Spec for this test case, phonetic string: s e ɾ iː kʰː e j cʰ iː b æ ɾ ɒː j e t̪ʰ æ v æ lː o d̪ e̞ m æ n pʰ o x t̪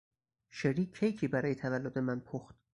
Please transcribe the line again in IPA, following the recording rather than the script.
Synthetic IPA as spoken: ʃ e ɾ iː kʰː e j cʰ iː b æ ɾ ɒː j e t̪ʰ æ v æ lː o d̪ e̞ m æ n pʰ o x t̪